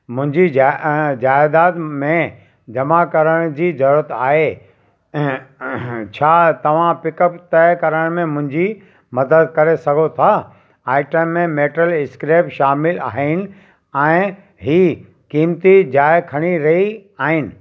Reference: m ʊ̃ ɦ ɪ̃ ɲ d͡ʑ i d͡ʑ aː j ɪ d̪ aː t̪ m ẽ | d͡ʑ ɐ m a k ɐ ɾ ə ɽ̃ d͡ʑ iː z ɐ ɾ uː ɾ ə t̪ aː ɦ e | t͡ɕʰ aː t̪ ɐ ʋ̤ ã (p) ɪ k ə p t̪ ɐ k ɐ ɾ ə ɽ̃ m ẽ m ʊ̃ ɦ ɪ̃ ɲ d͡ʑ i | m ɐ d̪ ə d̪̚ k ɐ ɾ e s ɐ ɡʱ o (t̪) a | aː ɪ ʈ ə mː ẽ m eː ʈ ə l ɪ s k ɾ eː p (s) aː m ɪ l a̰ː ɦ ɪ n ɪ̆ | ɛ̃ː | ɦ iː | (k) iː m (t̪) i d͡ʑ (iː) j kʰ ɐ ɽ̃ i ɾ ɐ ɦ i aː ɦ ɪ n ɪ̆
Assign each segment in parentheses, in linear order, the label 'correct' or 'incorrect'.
correct, incorrect, incorrect, correct, correct, incorrect

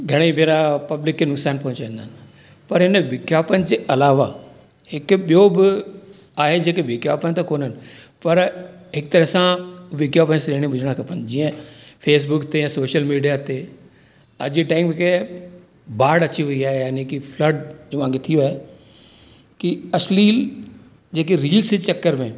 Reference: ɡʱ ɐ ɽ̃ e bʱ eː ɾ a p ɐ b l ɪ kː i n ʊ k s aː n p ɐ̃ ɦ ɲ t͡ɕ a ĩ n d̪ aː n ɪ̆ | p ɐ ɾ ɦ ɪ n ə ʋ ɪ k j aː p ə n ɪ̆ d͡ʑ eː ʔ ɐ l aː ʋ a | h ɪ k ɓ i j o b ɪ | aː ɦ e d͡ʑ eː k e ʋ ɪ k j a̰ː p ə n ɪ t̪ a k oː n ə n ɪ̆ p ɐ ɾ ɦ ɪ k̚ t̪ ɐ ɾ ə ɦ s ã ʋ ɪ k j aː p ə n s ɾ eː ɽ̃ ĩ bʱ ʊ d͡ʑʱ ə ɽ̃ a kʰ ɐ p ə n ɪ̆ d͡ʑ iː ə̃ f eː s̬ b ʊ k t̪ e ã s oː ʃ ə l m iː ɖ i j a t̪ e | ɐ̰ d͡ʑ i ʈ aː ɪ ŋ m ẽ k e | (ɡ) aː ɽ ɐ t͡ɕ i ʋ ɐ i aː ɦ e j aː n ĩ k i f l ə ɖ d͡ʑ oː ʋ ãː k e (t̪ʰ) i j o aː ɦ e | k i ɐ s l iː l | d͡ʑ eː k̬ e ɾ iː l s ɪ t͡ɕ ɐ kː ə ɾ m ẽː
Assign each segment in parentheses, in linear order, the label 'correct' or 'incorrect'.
incorrect, correct

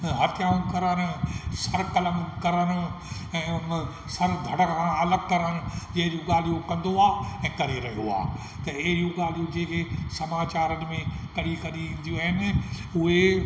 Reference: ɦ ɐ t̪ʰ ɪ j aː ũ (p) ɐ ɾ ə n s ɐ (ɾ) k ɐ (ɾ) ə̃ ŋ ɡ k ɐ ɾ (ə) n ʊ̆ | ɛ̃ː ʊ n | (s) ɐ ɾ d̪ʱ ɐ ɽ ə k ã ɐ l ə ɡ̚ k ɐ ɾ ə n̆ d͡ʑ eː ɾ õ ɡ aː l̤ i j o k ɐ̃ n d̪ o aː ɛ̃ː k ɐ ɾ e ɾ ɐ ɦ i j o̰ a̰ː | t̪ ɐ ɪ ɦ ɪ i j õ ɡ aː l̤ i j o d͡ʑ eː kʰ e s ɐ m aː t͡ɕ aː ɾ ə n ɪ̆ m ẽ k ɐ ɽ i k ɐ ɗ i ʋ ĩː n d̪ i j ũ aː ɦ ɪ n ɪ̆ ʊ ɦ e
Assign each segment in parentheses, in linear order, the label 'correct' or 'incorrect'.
incorrect, correct, incorrect, correct, correct

